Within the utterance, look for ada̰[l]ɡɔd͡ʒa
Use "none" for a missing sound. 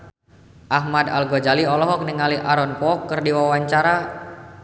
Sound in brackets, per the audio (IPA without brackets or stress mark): l